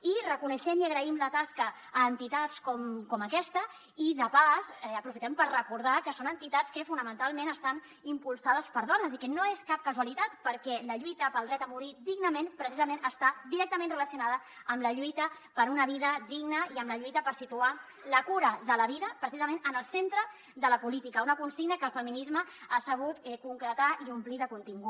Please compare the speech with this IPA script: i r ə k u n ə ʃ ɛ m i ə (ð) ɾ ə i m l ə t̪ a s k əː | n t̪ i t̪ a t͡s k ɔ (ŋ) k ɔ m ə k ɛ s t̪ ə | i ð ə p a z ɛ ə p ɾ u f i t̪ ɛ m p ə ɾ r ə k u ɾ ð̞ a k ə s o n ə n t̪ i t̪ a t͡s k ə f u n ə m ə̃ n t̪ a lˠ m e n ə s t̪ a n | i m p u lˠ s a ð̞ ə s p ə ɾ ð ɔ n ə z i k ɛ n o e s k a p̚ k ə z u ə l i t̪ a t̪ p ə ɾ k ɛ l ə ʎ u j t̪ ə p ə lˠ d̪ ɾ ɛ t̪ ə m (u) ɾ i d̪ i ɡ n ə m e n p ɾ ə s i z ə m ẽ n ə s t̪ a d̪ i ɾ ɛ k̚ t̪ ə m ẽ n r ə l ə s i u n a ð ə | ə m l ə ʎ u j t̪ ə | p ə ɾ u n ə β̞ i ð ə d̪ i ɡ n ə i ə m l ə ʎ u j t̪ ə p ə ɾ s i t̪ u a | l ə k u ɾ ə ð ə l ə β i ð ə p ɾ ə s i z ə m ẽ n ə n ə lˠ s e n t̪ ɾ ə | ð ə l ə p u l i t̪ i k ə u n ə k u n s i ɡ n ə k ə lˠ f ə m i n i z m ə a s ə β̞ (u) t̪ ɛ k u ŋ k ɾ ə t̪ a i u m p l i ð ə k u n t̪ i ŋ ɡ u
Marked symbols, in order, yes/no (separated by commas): no, no, yes, yes